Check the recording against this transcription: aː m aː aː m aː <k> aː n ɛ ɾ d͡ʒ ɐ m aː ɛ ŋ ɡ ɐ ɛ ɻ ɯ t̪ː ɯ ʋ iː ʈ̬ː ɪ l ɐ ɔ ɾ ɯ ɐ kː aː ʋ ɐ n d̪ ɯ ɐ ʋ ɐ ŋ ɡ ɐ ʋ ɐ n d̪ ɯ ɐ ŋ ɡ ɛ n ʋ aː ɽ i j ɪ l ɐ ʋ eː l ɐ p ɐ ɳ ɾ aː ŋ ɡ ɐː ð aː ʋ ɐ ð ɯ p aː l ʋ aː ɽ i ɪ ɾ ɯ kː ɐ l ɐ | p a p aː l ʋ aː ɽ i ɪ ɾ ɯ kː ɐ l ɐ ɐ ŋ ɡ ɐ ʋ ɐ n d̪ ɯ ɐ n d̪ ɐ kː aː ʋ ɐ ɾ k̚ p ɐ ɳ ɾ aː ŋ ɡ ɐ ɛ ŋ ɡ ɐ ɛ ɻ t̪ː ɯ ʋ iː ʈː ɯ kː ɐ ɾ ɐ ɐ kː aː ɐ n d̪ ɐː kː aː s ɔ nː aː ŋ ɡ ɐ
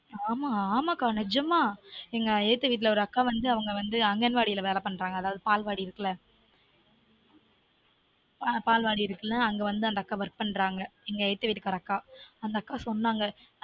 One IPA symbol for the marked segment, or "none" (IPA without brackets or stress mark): k